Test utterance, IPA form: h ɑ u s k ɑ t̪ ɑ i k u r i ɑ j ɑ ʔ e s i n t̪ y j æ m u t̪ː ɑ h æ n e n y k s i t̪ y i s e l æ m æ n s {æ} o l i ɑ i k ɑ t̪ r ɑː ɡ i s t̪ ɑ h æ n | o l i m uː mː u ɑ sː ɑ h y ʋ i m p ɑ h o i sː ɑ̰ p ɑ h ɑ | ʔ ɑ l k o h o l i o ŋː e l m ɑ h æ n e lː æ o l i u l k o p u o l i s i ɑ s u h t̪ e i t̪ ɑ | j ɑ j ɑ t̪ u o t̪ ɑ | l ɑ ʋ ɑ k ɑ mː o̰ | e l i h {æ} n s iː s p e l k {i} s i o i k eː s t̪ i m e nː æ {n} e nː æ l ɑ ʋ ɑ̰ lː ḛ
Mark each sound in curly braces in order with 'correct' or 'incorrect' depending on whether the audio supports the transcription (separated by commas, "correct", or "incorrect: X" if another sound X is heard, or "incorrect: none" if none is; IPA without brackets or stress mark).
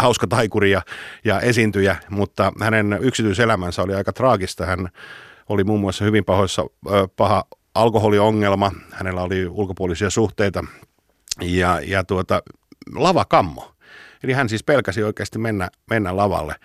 correct, correct, incorrect: æ, incorrect: m